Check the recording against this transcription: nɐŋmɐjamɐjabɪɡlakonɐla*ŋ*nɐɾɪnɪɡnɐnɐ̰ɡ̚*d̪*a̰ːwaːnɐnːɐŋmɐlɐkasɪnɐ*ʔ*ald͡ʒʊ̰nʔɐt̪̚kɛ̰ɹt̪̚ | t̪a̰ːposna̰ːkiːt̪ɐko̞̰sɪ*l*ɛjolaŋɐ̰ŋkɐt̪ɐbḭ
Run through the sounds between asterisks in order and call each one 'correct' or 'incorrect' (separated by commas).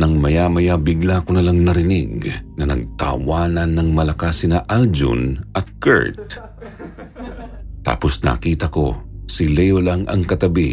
correct, incorrect, correct, correct